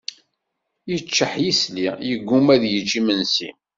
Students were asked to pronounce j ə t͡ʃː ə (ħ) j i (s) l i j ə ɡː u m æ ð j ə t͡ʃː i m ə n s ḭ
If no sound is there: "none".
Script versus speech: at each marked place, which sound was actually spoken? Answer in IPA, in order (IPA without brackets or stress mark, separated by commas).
ħ, s